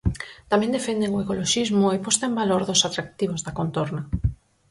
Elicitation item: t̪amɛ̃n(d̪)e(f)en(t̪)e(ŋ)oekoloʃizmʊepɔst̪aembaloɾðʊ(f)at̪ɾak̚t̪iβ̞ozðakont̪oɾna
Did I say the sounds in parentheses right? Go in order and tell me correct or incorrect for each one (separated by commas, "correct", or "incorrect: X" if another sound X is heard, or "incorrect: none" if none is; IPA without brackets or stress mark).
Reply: correct, correct, incorrect: d̪, correct, incorrect: s